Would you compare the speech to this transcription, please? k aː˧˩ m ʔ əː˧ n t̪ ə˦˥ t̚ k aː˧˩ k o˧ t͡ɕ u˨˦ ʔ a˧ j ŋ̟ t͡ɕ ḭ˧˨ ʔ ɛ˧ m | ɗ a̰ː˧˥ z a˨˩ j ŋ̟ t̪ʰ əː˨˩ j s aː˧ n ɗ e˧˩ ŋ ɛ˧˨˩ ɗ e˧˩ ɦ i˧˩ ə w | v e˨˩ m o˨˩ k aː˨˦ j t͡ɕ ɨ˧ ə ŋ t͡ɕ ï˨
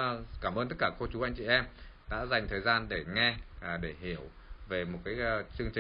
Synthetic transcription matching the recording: k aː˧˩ m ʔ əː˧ n t̪ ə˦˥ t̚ k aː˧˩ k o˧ t͡ɕ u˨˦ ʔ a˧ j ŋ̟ t͡ɕ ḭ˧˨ ʔ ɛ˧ m | ɗ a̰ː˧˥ z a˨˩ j ŋ̟ t̪ʰ əː˨˩ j z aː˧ n ɗ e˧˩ ŋ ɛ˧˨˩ ɗ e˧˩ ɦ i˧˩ ə w | v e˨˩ m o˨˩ k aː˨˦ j t͡ɕ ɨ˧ ə ŋ t͡ɕ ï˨